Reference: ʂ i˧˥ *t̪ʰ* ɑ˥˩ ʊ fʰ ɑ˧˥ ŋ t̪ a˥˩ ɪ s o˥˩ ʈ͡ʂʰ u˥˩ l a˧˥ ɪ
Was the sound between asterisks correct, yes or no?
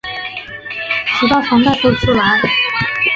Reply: no